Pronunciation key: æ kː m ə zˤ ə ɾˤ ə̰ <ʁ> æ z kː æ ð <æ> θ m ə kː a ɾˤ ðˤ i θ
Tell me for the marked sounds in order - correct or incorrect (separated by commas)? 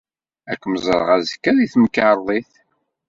correct, incorrect